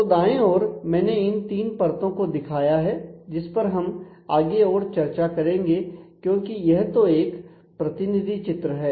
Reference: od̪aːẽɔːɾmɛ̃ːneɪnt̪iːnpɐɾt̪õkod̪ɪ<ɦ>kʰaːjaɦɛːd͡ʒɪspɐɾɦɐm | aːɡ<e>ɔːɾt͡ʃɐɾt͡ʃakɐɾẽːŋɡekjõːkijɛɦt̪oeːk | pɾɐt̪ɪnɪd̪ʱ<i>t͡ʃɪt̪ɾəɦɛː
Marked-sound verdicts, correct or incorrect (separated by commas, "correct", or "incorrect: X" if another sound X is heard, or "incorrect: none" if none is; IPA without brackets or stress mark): incorrect: none, correct, correct